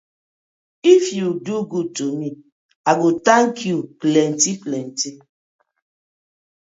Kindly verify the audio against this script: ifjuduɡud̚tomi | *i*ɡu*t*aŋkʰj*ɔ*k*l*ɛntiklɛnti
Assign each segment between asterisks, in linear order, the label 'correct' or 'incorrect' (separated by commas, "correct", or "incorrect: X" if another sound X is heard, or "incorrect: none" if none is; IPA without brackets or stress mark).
incorrect: a, correct, incorrect: u, correct